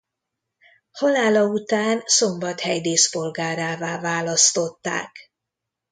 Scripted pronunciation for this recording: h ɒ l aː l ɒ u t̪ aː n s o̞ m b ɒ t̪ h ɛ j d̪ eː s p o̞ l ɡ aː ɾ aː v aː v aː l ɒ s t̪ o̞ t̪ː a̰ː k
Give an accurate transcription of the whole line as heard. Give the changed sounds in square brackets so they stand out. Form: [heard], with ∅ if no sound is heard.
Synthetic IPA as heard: h ɒ l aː l ɒ u t̪ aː n s o̞ m b ɒ t̪ h ɛ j d̪ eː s p o̞ l ɡ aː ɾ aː v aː v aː l ɒ s t̪ o̞ t̪ː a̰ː k